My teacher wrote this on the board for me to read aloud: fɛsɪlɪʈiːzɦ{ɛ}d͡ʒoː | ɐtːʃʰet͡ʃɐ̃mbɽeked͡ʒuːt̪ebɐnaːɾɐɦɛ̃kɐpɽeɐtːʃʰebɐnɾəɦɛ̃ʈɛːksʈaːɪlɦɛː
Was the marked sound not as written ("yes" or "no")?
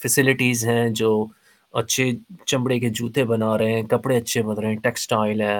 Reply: yes